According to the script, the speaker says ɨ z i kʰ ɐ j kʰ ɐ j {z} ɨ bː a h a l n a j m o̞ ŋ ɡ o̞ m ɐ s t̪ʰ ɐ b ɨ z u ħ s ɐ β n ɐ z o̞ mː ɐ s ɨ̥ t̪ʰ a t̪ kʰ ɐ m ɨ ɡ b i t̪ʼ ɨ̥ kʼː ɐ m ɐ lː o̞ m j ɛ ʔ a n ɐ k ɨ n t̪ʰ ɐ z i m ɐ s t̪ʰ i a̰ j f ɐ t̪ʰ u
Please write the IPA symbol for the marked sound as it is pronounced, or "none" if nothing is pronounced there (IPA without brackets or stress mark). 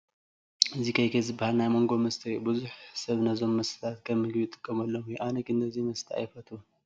z